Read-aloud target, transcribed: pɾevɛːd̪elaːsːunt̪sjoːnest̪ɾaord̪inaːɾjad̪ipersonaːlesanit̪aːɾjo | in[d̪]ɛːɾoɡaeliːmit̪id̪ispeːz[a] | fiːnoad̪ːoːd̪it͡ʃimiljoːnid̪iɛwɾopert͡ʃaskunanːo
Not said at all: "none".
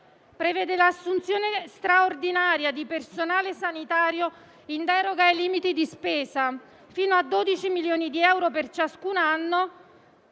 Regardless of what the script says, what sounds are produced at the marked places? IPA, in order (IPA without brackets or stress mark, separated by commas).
d̪, a